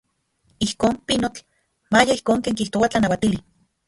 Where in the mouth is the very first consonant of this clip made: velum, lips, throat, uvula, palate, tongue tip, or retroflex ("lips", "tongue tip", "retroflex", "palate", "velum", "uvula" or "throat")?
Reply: throat